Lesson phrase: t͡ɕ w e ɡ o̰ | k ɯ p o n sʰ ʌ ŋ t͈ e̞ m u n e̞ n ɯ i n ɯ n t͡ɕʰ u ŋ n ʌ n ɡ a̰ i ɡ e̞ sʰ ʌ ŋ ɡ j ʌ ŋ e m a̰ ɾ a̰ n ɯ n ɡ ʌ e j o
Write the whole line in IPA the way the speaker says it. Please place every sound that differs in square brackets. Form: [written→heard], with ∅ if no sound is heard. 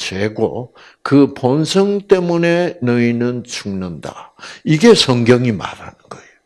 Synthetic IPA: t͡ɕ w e ɡ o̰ | k ɯ p o n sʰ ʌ ŋ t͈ e̞ m u n e̞ n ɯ i n ɯ n t͡ɕʰ u ŋ n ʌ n [ɡ→d] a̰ i ɡ e̞ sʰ ʌ ŋ ɡ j ʌ ŋ [e→i] m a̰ ɾ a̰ n ɯ n ɡ ʌ e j o

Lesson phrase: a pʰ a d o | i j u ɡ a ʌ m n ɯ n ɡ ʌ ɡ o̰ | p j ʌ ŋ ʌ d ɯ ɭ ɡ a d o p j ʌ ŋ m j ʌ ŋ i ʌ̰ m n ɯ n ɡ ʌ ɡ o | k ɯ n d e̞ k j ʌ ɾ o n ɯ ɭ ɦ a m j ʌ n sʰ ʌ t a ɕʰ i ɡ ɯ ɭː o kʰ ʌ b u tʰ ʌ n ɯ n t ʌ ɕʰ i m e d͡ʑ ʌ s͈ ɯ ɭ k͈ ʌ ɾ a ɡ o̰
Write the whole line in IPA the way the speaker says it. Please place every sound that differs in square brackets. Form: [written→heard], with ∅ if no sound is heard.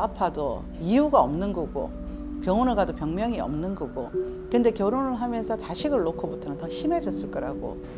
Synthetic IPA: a pʰ a d o | i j u ɡ a ʌ m n ɯ n ɡ ʌ ɡ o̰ | p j ʌ ŋ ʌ [d→n] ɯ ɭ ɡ a d o p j ʌ ŋ m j ʌ ŋ i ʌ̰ m n ɯ n ɡ ʌ ɡ o | k ɯ n d e̞ k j ʌ ɾ o n ɯ ɭ ɦ a m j ʌ n sʰ ʌ [t→t͡ɕ] a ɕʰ i ɡ ɯ ɭː o kʰ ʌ b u tʰ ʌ n ɯ n t ʌ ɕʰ i m e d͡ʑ ʌ s͈ ɯ ɭ k͈ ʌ ɾ a ɡ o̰

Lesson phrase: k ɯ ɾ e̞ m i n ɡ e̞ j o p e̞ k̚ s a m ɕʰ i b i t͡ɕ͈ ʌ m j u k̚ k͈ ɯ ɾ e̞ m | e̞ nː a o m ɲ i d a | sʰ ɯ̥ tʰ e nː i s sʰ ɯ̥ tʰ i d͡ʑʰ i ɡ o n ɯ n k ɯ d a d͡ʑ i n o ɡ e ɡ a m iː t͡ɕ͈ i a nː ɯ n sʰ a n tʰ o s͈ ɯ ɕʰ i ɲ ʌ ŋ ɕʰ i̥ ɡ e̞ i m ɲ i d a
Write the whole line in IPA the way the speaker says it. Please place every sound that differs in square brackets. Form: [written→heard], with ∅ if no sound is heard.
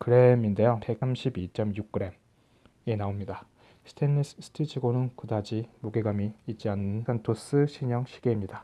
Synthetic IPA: k ɯ ɾ e̞ m i n [ɡ→d] e̞ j o p e̞ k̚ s a m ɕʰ i b i t͡ɕ͈ ʌ m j u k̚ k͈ ɯ ɾ e̞ m | e̞ [nː→n] a o m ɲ i d a | sʰ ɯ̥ tʰ e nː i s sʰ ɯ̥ tʰ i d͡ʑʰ i ɡ o n ɯ n k ɯ d a d͡ʑ i [n→m] o ɡ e ɡ a m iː t͡ɕ͈ i a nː ɯ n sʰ a n tʰ o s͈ ɯ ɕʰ i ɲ ʌ ŋ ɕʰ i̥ ɡ e̞ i m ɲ i d a

